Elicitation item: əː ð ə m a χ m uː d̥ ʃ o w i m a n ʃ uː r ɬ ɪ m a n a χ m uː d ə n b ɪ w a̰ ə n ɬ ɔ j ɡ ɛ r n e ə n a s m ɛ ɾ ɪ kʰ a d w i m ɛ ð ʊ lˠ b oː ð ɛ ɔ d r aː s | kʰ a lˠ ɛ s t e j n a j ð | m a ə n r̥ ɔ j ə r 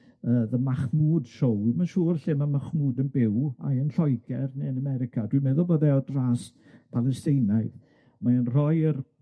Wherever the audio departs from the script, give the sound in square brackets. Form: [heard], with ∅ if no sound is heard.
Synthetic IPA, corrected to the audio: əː ð ə m a χ m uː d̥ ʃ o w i m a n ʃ uː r ɬ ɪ m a [m] a χ m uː d ə n b ɪ w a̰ ə n ɬ ɔ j ɡ ɛ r n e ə n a [∅] m ɛ ɾ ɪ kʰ a d w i m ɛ ð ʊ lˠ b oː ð ɛ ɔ d r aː s | [pʰ] a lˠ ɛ s t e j n a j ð | m a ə n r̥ ɔ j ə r

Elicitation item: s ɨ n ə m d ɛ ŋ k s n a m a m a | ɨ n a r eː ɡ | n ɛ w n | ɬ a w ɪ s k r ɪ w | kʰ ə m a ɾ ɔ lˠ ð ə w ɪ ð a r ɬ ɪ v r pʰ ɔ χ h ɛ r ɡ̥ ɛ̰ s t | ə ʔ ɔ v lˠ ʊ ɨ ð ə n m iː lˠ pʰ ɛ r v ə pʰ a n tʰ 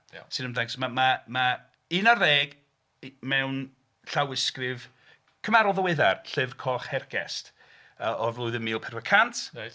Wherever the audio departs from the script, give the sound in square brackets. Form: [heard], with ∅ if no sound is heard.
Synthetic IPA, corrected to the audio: s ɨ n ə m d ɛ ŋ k s [m] a m a m a | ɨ n a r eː ɡ | [m] ɛ w n | ɬ a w ɪ s k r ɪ [v] | kʰ ə m a ɾ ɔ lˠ ð ə w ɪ ð a r ɬ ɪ v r [kʰ] ɔ χ h ɛ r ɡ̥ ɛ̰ s t | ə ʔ ɔ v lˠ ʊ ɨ ð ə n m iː lˠ pʰ ɛ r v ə [kʰ] a n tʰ

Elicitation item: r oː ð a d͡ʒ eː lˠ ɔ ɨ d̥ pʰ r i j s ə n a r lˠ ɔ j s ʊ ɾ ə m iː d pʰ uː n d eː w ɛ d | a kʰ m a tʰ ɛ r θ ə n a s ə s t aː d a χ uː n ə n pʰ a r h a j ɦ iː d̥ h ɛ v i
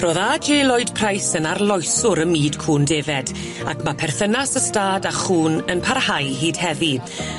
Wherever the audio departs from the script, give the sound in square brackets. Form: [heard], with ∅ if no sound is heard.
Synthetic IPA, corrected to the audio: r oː ð a d͡ʒ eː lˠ ɔ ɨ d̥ pʰ r [a] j s ə n a r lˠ ɔ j s ʊ ɾ ə m iː d [kʰ] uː n d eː [v] ɛ d | a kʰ m a [pʰ] ɛ r θ ə n a s ə s t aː d a χ uː n ə n pʰ a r h a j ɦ iː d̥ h ɛ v i

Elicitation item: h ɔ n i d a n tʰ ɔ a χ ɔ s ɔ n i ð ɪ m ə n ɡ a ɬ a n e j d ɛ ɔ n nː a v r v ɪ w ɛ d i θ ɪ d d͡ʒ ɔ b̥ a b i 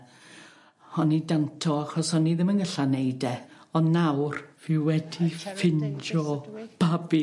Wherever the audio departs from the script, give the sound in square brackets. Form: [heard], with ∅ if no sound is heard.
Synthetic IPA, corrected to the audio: h ɔ n i d a n tʰ ɔ a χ ɔ s ɔ n i ð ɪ m ə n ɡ [ə] ɬ a n e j d ɛ ɔ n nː a [w] r v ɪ w ɛ d i [f] ɪ [n] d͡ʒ ɔ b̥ a b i

